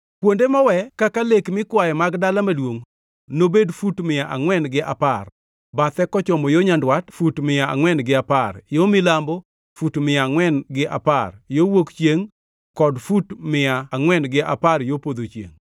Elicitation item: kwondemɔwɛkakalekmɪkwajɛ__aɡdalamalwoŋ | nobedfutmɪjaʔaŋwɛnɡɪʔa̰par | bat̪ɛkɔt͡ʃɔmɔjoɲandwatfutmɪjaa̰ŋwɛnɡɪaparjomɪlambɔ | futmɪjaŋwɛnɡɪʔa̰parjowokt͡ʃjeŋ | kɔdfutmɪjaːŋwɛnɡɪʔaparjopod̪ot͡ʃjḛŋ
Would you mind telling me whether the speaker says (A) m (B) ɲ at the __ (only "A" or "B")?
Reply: A